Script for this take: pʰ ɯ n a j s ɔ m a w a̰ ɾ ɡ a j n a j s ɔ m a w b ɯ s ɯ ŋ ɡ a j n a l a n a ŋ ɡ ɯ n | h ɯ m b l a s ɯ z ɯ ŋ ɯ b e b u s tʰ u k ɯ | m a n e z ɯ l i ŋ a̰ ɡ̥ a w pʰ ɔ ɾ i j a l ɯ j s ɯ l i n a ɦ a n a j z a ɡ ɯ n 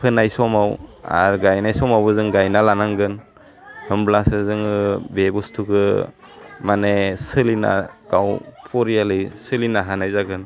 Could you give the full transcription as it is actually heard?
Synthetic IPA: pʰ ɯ n a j s ɔ m a w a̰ ɾ ɡ a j n a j s ɔ m a w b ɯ z ɯ ŋ ɡ a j n a l a n a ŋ ɡ ɯ n | h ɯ m b l a s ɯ z ɯ ŋ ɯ b e b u s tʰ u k ɯ | m a n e s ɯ l i n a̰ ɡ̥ a w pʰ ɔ ɾ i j a l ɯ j s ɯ l i n a ɦ a n a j z a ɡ ɯ n